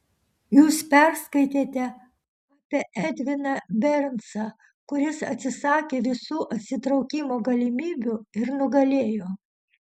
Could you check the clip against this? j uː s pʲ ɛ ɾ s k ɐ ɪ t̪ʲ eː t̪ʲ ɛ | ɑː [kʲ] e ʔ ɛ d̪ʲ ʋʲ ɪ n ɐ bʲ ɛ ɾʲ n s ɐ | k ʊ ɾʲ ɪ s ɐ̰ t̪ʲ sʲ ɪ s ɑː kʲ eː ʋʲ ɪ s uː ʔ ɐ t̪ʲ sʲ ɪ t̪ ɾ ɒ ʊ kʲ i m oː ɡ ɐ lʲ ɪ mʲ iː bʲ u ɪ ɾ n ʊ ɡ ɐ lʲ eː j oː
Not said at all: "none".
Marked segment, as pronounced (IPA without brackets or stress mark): pʲ